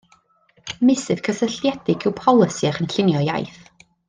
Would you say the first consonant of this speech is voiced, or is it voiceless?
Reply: voiced